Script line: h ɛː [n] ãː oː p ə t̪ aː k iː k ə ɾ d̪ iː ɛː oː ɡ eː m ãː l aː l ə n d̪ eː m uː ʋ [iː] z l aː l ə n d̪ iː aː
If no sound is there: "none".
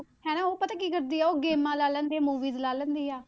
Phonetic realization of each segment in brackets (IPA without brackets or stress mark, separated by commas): n, iː